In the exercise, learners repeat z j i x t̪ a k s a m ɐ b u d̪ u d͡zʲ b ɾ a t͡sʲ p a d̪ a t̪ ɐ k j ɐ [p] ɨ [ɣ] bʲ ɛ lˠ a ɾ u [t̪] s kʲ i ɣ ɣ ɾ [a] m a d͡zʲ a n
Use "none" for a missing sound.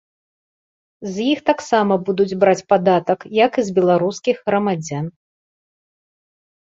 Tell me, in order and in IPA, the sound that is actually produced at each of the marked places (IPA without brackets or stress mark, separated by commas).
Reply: k, z, none, ɐ